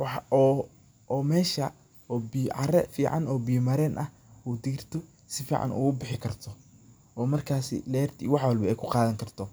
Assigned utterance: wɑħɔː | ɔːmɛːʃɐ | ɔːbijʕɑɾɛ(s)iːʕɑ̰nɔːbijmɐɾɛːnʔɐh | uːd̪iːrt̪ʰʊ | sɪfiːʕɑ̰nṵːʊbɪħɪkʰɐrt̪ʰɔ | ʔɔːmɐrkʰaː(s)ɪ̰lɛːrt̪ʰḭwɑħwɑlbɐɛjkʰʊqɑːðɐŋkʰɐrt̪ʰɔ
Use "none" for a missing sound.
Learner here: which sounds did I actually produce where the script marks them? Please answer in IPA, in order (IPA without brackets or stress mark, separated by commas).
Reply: f, s